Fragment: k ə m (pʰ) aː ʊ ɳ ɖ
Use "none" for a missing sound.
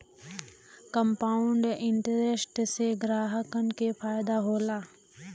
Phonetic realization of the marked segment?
p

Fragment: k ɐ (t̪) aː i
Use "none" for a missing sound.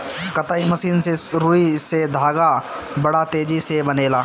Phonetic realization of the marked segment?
t̪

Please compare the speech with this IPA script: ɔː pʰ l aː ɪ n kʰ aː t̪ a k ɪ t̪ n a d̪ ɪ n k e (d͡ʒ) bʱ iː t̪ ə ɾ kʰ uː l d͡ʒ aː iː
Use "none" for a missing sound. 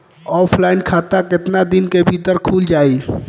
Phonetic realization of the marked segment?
none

